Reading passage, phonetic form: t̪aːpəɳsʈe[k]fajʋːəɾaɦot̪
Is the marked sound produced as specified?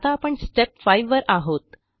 no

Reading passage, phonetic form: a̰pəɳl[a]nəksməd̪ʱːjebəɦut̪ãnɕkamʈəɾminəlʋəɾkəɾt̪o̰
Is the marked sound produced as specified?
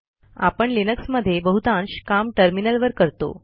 no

